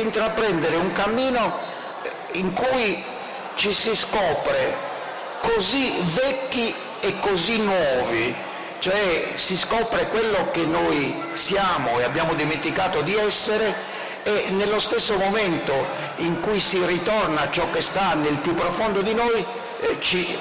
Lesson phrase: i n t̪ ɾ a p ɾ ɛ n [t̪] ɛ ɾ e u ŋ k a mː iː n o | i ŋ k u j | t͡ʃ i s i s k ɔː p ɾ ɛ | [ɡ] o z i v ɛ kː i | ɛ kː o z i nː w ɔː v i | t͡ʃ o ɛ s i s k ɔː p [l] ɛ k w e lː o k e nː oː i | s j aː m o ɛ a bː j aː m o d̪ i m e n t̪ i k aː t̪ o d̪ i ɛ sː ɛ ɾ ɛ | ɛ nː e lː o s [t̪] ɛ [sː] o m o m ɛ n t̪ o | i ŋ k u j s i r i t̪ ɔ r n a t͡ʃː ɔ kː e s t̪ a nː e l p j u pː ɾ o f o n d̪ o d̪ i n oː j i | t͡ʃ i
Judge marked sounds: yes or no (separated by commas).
no, no, no, yes, yes